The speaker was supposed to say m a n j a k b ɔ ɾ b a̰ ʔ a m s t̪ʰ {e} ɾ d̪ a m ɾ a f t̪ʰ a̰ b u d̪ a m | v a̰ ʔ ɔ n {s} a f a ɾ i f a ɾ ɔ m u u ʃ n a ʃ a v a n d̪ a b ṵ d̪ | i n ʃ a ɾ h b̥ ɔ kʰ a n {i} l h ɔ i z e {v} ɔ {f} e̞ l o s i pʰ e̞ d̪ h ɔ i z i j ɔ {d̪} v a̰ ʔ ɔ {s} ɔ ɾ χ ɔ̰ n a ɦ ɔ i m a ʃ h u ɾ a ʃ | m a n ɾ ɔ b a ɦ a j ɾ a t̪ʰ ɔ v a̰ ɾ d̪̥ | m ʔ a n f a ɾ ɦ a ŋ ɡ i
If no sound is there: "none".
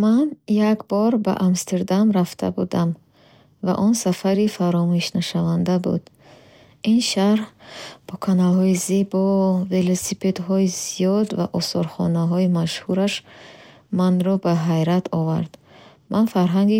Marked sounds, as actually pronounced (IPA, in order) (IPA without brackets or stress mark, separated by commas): e, s, a, b, v, d̪, s